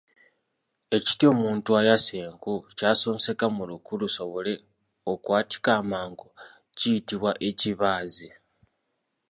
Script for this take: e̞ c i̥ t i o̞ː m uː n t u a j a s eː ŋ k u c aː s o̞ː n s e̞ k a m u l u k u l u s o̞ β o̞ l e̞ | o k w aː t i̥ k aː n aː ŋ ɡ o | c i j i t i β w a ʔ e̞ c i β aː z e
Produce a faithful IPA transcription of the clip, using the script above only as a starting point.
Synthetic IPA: e̞ c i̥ t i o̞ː m uː n t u a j a s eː ŋ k u c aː s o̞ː n s e̞ k a m u l u k u l u s o̞ β o̞ l e̞ | o k w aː t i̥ k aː m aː ŋ ɡ o | c i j i t i β w a ʔ e̞ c i β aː z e